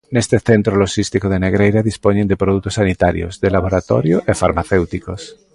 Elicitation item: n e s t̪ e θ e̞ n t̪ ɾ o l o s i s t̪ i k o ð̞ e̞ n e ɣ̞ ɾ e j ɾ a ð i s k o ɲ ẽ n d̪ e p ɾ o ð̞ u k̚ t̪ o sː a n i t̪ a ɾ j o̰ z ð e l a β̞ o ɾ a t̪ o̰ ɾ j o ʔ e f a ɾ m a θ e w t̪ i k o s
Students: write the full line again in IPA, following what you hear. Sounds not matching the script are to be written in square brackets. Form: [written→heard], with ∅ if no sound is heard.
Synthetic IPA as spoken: n e s t̪ e θ e̞ n t̪ ɾ o l o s i s t̪ i k o ð̞ e̞ n e ɣ̞ ɾ e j ɾ a ð i s [k→p] o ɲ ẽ n d̪ e p ɾ o ð̞ u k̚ t̪ o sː a n i t̪ a ɾ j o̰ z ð e l a β̞ o ɾ a t̪ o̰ ɾ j o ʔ e f a ɾ m a θ e w t̪ i k o s